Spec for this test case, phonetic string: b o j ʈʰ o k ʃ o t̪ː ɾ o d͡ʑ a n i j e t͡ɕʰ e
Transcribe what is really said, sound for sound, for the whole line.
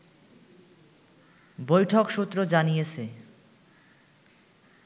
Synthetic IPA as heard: b o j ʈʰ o k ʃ u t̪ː ɾ o d͡ʑ a n i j e t͡ɕʰ e